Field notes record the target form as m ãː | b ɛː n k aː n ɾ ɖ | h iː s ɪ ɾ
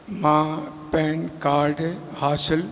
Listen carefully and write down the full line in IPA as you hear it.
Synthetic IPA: m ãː | p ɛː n k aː ɾ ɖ | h aː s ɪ l